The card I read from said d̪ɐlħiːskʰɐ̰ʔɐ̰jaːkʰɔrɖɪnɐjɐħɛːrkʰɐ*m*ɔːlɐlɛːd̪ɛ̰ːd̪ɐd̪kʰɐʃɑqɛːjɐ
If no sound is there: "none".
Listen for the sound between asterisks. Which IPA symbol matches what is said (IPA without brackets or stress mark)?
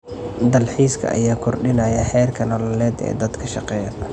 n